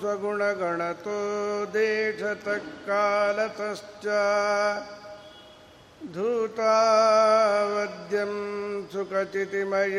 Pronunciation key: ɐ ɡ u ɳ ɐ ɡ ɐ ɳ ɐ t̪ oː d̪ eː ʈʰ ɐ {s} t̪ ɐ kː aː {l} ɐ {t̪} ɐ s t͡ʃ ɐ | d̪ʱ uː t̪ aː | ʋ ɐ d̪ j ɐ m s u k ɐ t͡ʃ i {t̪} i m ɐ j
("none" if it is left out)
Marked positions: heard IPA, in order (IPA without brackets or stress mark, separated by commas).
none, l, t̪, t̪